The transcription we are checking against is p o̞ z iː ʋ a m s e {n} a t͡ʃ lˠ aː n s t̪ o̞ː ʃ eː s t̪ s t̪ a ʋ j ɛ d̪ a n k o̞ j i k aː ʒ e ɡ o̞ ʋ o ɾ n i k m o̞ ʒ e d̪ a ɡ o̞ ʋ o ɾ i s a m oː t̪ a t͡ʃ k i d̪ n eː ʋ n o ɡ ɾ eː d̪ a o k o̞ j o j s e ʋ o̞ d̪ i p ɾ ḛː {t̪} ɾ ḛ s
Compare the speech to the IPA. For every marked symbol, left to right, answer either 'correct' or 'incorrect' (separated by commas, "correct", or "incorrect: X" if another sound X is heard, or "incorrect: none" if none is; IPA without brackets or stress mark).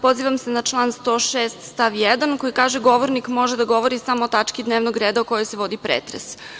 correct, correct